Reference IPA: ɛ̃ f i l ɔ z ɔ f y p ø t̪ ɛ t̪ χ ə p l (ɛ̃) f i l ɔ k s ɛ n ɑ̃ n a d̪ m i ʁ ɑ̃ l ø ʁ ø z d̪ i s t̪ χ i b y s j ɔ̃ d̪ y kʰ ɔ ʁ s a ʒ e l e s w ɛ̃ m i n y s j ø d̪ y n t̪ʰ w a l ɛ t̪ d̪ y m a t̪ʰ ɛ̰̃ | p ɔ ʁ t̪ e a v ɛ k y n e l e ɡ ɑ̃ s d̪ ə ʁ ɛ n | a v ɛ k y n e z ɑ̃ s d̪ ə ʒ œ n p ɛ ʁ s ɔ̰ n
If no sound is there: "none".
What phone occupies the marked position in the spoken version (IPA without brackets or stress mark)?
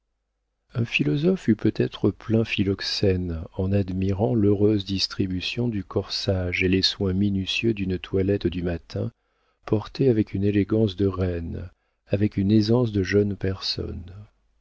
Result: ɛ̃